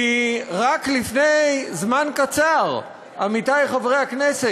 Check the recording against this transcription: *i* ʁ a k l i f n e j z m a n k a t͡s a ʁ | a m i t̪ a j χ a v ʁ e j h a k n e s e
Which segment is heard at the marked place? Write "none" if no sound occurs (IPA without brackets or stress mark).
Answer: i